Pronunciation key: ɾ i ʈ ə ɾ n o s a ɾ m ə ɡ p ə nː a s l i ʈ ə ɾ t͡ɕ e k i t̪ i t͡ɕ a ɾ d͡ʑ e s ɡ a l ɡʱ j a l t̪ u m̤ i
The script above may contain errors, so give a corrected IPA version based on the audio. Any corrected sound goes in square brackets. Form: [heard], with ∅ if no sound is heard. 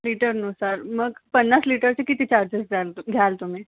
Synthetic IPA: [l] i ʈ ə ɾ n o s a ɾ m ə ɡ p ə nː a s l i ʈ ə ɾ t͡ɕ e k i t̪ i t͡ɕ a ɾ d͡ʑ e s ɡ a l ɡʱ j a l t̪ u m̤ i